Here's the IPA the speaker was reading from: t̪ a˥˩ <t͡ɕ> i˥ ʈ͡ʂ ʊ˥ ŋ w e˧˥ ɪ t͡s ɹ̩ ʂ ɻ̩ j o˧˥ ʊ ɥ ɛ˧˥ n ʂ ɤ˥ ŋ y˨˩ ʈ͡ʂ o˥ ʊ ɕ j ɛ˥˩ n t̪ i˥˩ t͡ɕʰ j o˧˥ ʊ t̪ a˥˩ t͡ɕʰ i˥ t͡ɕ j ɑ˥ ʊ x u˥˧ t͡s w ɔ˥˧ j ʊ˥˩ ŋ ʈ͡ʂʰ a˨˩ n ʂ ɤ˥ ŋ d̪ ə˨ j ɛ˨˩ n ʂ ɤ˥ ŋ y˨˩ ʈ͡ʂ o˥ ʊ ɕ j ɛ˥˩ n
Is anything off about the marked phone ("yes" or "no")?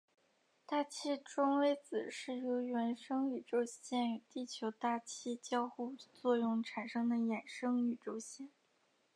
yes